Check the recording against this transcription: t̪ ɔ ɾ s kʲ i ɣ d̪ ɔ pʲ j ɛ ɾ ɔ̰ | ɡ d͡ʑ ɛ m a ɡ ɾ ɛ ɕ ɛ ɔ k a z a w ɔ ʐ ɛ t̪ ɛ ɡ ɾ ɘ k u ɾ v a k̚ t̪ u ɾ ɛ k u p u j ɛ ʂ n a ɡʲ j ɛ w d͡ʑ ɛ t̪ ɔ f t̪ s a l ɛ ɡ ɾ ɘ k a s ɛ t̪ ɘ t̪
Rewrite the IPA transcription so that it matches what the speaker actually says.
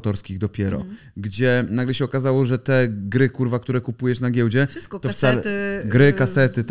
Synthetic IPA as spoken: t̪ ɔ ɾ s kʲ i ɣ d̪ ɔ pʲ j ɛ ɾ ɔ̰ | ɡ d͡ʑ ɛ n a ɡ l ɛ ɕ ɛ ɔ k a z a w ɔ ʐ ɛ t̪ ɛ ɡ ɾ ɘ k u ɾ v a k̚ t̪ u ɾ ɛ k u p u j ɛ ʂ n a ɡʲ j ɛ w d͡ʑ ɛ t̪ ɔ f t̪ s a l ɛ ɡ ɾ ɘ k a s ɛ t̪ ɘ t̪